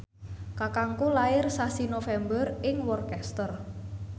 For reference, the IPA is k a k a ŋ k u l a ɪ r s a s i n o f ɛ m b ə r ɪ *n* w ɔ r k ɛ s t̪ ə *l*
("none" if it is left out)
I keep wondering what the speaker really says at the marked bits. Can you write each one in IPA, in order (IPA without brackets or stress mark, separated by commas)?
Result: ŋ, r